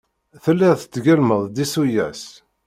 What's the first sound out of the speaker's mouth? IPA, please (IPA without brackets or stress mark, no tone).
θ